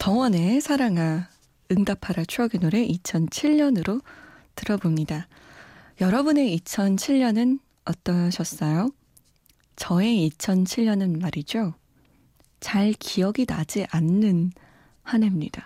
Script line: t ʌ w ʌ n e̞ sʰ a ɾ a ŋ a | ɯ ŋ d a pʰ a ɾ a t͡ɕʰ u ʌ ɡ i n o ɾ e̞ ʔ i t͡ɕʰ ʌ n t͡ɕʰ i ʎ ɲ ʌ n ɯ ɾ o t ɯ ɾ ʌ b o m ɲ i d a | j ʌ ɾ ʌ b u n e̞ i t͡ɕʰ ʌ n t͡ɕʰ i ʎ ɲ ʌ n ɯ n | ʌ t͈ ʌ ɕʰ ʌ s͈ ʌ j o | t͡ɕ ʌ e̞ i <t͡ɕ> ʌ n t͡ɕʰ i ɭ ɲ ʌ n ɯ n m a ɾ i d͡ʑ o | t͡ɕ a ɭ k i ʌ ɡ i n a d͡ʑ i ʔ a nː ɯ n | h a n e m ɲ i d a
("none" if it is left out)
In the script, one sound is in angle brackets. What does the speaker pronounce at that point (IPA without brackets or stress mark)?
t͡ɕʰ